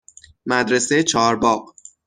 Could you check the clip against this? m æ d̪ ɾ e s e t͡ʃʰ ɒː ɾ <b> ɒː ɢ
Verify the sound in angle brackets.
correct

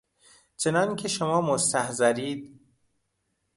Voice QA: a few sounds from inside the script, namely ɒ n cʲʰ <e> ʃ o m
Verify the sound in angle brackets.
correct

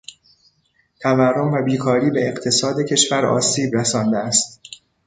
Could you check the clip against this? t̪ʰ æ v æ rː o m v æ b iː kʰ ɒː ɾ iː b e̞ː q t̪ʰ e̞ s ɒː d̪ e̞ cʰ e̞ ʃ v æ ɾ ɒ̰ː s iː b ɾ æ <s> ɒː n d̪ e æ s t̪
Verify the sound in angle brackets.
correct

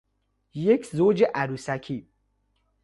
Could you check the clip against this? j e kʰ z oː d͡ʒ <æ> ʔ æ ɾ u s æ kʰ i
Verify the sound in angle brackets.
incorrect: e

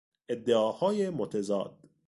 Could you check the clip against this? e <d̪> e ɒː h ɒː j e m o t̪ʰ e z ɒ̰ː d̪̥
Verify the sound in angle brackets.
incorrect: d̪ː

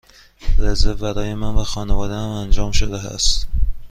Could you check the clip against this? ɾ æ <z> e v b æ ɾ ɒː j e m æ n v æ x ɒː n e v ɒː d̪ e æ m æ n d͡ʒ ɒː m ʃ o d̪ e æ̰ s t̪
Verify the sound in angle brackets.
correct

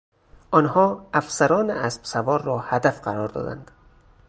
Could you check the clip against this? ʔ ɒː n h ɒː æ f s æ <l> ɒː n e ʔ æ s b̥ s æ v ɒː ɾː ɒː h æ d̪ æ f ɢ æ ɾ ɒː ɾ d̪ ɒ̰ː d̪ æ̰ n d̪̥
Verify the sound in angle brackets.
incorrect: ɾ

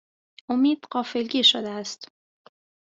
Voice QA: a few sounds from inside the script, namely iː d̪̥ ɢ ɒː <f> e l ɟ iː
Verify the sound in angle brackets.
correct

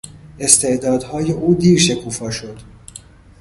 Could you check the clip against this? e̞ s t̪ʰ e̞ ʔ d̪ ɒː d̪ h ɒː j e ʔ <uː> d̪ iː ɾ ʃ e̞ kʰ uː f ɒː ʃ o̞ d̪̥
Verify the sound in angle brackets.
correct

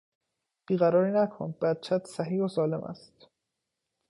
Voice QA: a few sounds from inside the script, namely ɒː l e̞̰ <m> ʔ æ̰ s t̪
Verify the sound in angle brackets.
correct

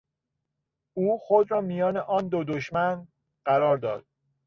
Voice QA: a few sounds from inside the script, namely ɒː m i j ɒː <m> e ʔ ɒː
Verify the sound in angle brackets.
incorrect: n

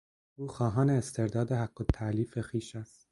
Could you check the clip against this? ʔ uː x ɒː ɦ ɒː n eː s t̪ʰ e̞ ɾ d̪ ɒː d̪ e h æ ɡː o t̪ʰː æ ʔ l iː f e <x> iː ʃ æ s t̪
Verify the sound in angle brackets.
correct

